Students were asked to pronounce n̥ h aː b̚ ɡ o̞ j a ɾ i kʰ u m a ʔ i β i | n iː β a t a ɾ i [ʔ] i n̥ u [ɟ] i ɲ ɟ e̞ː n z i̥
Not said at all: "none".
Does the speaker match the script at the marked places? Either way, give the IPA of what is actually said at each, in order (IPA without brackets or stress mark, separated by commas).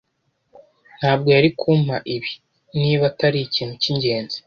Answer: c, c